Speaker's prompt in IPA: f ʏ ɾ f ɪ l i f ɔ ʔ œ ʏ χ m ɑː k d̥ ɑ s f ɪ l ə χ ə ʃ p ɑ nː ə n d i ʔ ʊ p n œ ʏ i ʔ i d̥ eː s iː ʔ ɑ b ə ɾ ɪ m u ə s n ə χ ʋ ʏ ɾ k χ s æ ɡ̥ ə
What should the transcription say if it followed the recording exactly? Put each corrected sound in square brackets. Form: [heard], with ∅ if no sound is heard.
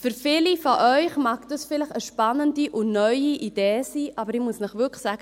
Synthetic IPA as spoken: f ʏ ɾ f ɪ l i f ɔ ʔ œ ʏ χ m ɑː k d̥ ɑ s f ɪ l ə χ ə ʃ p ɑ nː ə n d i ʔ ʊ [∅] n œ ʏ i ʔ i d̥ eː s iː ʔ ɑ b ə ɾ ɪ m u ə s n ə χ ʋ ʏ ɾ k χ s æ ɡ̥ ə